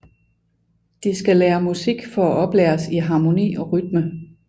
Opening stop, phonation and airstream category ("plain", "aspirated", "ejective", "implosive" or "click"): plain